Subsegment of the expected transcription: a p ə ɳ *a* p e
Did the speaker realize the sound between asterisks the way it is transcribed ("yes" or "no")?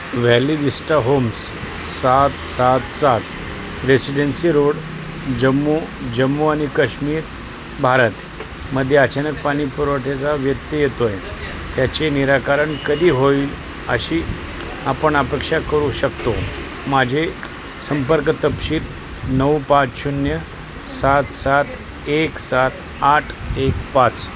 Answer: yes